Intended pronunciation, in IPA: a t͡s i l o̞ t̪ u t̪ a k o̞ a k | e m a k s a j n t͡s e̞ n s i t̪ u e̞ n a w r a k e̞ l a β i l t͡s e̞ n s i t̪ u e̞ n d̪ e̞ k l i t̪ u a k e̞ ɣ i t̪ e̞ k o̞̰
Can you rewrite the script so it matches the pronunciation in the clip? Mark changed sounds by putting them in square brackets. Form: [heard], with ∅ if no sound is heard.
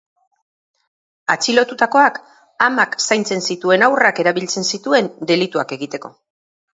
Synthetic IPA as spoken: a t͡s i l o̞ t̪ u t̪ a k o̞ a k | [a] m a k s a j n t͡s e̞ n s i t̪ u e̞ n a w r a k e̞ [ɾ] a β i l t͡s e̞ n s i t̪ u e̞ n d̪ e̞ [∅] l i t̪ u a k e̞ ɣ i t̪ e̞ k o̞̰